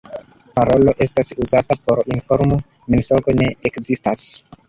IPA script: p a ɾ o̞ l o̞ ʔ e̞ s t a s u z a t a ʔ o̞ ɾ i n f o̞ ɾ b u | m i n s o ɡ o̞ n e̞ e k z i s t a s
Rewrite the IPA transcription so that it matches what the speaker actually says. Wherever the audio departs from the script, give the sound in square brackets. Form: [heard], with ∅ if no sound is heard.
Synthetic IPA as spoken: p a ɾ o̞ l o̞ ʔ e̞ s t a s u z a t a [p] o̞ ɾ i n f o̞ ɾ [m] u | m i n s o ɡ o̞ n e̞ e k z i s t a s